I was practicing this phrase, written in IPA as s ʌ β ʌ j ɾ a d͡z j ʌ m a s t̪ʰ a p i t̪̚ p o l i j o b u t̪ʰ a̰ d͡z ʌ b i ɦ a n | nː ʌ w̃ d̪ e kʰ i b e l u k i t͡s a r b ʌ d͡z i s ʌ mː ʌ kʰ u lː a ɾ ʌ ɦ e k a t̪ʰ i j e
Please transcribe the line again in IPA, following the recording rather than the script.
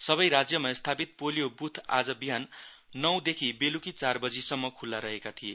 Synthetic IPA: s ʌ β ʌ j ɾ a d͡z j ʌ m a s t̪ʰ a p i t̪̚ p o l i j o b u t̪ʰ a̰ d͡z ʌ b i ɦ a n | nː ʌ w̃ d̪ e kʰ i b e l u k i t͡s a r b ʌ d͡z i s ʌ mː ʌ kʰ u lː a ɾ ʌ ɦ e k a t̪ʰ i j e